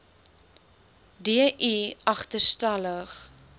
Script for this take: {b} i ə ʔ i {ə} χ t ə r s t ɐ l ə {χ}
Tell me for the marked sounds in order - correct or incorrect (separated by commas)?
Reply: incorrect, incorrect, correct